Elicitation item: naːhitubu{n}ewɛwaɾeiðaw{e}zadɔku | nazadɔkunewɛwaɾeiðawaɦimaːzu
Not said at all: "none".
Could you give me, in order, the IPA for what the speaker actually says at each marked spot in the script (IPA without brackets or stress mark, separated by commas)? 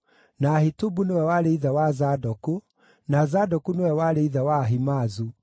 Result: n, a